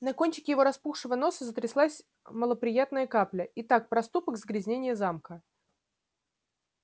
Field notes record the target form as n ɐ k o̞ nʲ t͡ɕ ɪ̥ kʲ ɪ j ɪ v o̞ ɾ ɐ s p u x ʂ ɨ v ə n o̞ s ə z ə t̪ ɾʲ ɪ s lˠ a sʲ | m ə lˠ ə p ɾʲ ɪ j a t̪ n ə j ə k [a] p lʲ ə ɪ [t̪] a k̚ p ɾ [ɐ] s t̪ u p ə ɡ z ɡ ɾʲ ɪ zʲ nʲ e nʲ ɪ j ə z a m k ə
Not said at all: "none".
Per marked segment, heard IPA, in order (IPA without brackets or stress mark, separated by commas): a, t̪, ɐ